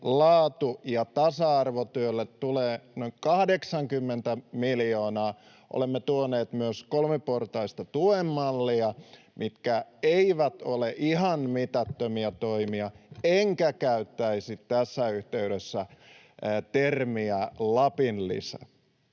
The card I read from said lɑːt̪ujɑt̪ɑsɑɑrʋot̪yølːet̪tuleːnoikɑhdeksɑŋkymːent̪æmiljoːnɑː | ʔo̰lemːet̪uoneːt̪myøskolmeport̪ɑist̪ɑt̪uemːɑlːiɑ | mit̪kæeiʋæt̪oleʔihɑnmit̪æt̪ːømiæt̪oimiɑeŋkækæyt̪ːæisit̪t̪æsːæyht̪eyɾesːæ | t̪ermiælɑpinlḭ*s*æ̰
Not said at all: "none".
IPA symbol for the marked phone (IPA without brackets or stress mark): s